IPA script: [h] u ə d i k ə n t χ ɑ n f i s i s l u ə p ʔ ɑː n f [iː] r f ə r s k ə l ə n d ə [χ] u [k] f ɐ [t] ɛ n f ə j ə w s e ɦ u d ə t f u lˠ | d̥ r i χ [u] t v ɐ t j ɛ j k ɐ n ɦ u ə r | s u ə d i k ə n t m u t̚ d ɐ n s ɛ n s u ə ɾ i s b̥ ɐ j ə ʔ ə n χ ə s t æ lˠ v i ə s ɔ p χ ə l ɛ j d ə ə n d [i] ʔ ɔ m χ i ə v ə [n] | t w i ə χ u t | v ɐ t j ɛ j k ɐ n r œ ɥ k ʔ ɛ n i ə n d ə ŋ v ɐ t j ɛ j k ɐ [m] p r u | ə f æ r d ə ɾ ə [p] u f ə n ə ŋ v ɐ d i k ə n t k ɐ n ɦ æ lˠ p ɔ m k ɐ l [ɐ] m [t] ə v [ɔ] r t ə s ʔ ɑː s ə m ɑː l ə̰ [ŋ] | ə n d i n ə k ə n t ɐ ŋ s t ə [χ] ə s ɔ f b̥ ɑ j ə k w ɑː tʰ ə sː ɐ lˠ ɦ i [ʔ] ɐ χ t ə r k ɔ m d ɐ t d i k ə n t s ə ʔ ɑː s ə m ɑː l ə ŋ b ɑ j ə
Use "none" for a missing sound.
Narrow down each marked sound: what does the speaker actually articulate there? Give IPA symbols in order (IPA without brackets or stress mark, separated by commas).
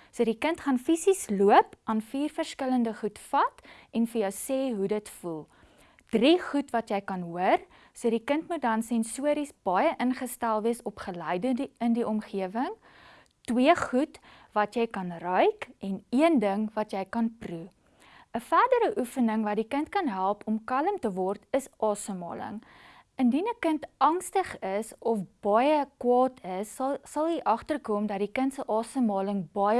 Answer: s, iː, χ, t, t, u, i, ŋ, n, ʔ, ə, t, ɔ, ŋ, χ, ʔ